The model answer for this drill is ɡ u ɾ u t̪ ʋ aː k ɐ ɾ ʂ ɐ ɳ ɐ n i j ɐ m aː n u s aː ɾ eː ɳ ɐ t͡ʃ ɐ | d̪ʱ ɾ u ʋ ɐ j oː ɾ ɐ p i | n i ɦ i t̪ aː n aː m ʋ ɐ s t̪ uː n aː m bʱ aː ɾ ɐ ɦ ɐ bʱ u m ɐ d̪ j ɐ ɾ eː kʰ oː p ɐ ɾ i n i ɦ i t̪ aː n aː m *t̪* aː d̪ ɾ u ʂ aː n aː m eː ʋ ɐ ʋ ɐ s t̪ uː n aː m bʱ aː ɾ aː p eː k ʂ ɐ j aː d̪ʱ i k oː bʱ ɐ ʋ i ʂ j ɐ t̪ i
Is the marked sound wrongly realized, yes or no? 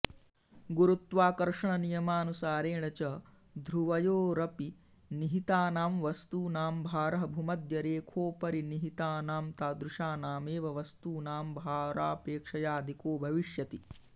no